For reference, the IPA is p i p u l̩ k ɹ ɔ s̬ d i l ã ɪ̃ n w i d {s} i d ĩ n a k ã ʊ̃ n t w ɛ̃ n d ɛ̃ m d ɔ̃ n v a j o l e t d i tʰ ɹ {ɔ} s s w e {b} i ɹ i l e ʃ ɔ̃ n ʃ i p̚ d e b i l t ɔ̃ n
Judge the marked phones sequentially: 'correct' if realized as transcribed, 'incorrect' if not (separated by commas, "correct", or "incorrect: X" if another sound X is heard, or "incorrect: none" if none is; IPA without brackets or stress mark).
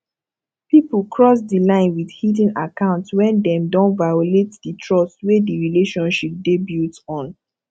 incorrect: h, correct, incorrect: d